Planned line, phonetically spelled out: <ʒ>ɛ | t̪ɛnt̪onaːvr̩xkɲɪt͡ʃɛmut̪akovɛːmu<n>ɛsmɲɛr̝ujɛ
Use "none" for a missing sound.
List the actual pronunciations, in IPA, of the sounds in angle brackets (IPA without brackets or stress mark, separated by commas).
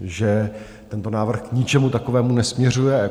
ʒ, n